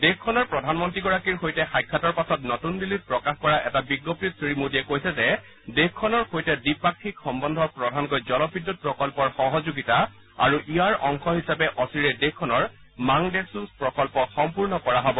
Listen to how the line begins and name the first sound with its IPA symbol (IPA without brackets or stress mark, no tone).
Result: d